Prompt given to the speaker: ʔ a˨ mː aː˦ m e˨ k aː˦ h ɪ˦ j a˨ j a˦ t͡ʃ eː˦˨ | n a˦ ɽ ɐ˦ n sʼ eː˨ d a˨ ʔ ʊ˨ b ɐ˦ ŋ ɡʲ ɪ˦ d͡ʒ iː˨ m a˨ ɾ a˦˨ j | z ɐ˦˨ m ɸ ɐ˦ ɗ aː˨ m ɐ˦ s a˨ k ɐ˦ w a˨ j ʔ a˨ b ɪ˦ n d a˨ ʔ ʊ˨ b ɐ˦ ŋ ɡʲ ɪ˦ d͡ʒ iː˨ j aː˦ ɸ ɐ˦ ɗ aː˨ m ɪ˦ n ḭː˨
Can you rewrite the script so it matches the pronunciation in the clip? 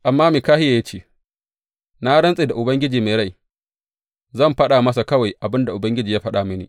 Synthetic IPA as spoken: ʔ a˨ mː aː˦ m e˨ k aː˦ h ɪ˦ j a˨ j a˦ t͡ʃ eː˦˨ | n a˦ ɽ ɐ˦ n sʼ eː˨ d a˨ ʔ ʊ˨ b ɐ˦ ŋ ɡʲ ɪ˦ d͡ʒ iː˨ m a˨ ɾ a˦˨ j | z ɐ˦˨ m ɸ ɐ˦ ɗ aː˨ m ɐ˦ s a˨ k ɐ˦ w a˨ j ʔ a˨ b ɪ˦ n d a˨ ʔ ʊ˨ b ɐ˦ ŋ ɡʲ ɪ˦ d͡ʒ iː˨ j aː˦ ɸ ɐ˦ ɗ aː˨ m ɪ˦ n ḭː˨